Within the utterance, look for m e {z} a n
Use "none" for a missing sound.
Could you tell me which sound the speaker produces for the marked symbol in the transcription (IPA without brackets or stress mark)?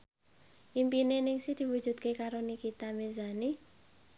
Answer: z